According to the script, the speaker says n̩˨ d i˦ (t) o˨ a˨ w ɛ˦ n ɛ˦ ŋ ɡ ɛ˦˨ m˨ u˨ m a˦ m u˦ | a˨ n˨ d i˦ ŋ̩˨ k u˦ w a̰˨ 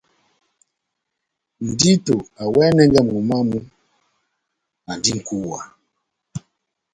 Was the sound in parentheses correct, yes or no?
yes